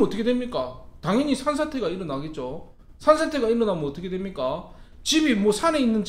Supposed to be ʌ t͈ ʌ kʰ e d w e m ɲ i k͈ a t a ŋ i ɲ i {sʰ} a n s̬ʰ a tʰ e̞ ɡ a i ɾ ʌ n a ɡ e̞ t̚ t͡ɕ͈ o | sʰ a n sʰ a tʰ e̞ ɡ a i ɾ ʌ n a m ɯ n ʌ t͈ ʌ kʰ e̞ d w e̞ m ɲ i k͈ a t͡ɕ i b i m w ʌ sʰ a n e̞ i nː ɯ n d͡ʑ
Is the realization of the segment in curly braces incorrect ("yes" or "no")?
no